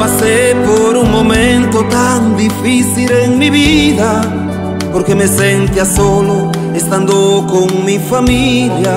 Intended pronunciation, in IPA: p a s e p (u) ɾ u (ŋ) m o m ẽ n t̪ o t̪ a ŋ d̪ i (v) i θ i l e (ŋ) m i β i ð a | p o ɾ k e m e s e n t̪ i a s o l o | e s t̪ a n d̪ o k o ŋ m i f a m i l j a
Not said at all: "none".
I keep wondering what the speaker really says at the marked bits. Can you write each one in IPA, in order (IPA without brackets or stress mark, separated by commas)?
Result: o, ŋ, f, ŋ